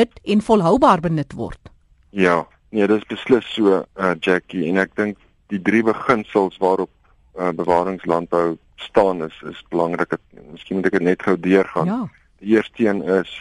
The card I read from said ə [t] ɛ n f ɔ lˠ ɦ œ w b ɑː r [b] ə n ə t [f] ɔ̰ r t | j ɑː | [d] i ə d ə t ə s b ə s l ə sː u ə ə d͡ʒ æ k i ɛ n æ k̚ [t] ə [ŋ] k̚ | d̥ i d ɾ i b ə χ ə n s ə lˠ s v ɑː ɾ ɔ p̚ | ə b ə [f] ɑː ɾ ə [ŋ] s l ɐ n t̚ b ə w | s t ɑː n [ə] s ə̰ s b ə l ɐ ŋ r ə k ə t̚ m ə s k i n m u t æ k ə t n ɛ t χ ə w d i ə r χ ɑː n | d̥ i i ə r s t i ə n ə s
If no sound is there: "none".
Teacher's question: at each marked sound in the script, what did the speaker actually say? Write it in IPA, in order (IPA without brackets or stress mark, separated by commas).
t, b, v, n, d, ŋ, v, ŋ, ə